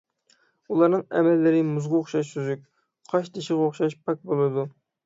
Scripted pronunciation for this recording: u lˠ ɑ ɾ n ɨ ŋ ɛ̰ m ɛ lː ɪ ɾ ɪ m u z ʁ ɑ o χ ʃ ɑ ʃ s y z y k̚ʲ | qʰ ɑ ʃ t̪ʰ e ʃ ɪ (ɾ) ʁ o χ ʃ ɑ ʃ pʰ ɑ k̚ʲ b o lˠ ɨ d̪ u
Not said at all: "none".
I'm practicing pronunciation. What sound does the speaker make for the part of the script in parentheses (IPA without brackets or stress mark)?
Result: none